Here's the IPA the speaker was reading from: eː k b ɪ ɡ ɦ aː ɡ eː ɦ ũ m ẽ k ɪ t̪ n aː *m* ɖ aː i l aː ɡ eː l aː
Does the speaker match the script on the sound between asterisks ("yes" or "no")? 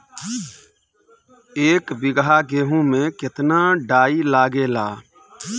no